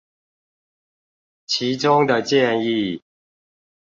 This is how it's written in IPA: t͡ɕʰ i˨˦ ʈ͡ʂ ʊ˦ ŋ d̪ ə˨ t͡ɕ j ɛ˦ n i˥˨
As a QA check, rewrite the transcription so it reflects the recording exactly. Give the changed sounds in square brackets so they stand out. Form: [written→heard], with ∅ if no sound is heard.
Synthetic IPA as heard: t͡ɕʰ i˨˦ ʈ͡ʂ ʊ˦ ŋ d̪ ə˨ t͡ɕ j [ɛ˦→ɛ˥˨] n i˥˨